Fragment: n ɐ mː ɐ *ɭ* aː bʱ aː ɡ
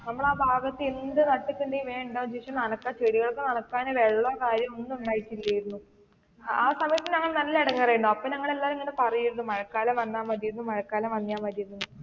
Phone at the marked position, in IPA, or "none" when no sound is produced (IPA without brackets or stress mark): ɭ